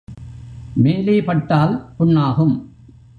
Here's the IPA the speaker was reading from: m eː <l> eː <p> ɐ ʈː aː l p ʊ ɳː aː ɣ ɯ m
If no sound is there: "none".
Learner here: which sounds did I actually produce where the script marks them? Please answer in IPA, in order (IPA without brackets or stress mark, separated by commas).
l, p